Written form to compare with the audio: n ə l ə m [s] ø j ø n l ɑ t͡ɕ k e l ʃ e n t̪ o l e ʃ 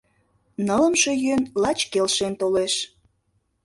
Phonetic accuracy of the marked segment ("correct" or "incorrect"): incorrect